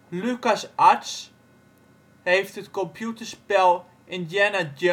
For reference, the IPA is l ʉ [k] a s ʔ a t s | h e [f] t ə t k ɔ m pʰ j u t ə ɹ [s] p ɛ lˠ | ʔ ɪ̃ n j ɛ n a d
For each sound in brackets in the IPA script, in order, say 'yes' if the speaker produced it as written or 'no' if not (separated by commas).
yes, yes, yes